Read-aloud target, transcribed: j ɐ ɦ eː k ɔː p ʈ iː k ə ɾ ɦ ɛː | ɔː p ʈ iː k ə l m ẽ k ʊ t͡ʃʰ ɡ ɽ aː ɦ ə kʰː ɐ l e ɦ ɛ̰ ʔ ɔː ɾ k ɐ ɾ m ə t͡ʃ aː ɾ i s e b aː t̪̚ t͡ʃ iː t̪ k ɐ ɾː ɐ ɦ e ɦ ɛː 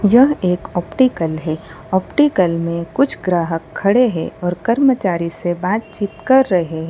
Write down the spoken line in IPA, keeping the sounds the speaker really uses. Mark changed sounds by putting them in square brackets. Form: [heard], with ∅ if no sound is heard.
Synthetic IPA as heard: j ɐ ɦ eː k ɔː p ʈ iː k ə [l] ɦ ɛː | ɔː p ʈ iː k ə l m ẽ k ʊ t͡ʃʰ ɡ [ɾ] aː ɦ ə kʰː ɐ [ɽ] e ɦ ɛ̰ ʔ ɔː ɾ k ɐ ɾ m ə t͡ʃ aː ɾ i s e b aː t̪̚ t͡ʃ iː t̪ k ɐ ɾː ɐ ɦ e ɦ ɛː